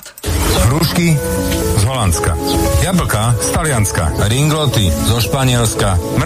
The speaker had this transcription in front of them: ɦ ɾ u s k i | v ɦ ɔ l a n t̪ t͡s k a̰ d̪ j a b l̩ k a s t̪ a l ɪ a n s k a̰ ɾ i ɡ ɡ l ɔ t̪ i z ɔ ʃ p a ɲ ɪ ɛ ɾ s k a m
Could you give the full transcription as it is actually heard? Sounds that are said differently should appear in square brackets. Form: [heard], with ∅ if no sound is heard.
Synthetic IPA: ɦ ɾ u [ʃ] k i | [z] ɦ ɔ l a n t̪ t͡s k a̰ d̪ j a b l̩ k a s t̪ a l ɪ a n s k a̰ ɾ i [ŋ] ɡ l ɔ t̪ i z ɔ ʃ p a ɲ ɪ ɛ [l] s k a m